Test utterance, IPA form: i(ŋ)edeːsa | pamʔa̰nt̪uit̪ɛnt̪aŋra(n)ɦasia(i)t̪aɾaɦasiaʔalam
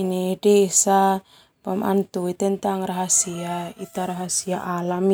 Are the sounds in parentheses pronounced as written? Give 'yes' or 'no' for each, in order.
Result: no, no, yes

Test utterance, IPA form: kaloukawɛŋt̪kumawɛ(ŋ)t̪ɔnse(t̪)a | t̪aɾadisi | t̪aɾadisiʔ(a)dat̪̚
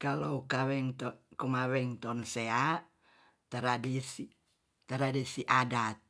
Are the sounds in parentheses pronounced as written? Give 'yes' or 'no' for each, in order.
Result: yes, no, yes

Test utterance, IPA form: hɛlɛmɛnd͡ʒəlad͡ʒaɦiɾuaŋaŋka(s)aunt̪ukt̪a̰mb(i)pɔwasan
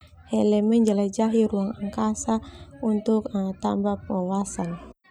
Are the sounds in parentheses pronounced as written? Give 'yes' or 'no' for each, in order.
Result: yes, no

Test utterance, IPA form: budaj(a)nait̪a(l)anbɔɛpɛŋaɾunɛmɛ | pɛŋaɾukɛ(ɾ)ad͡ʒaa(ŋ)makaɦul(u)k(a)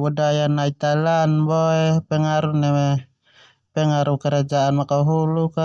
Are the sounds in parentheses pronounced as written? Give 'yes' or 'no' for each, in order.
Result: yes, yes, yes, no, yes, yes

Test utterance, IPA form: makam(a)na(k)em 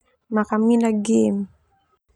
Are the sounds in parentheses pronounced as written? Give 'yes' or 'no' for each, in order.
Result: no, no

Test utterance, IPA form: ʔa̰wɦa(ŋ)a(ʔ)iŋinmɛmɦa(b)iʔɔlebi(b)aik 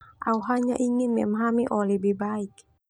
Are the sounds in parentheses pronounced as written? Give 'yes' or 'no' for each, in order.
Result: no, yes, no, yes

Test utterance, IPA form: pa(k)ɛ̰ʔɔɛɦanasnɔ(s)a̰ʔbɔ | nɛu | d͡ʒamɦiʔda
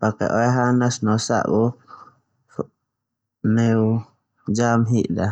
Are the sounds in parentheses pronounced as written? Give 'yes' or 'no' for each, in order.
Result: yes, yes

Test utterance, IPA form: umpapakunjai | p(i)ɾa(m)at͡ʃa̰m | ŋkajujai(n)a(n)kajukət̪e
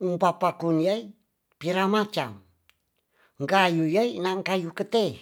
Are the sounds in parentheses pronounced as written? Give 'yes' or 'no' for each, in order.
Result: yes, yes, yes, no

